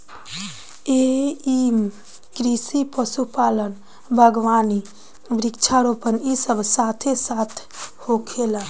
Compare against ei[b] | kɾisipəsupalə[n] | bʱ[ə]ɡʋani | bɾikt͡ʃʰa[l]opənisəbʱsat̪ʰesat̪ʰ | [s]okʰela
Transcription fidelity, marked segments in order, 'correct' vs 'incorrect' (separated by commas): incorrect, correct, correct, incorrect, incorrect